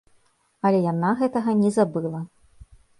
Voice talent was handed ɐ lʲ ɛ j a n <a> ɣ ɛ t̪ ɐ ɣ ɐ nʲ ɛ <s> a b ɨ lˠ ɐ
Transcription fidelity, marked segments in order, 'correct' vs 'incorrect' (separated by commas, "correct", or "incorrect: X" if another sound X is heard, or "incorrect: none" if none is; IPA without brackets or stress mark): correct, incorrect: z